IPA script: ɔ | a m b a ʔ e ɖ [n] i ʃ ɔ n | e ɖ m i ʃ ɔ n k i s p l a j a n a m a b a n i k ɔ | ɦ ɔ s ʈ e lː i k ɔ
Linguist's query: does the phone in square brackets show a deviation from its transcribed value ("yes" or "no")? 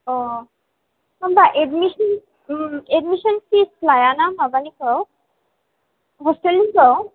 yes